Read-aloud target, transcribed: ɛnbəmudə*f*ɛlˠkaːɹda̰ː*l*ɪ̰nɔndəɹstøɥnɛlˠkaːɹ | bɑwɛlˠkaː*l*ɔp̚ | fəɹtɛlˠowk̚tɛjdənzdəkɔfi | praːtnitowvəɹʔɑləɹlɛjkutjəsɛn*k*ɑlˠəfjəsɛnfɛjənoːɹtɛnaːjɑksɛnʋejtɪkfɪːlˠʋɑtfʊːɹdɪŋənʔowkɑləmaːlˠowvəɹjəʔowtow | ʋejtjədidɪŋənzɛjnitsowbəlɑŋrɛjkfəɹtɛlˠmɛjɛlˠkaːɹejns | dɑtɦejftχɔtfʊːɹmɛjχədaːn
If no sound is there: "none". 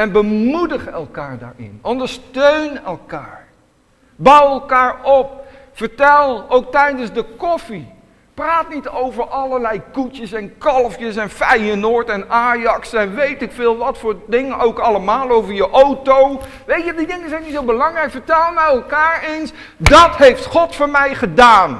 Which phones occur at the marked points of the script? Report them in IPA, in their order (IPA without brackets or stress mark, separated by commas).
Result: χ, ɹ, ɹ, k